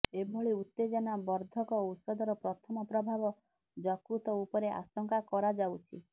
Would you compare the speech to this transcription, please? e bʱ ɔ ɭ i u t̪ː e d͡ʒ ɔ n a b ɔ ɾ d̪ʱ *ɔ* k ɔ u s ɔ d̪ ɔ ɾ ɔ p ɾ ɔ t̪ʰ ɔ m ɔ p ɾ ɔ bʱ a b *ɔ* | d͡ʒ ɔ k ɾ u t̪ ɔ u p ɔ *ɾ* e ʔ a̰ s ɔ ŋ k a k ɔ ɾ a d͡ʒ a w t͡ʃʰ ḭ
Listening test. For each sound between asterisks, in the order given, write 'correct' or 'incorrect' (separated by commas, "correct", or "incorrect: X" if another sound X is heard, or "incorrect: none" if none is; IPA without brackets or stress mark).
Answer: correct, correct, correct